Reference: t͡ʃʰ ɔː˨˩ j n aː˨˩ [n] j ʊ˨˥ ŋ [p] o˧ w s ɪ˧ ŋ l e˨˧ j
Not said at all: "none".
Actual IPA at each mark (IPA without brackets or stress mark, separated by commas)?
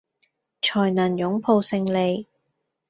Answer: n, pʰ